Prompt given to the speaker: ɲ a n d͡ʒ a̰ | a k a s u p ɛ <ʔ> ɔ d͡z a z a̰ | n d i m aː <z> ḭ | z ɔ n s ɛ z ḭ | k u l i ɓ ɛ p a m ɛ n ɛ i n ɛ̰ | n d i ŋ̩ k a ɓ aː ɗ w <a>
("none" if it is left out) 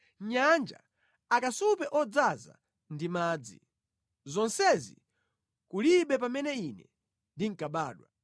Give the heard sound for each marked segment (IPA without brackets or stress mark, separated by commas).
ʔ, d͡z, a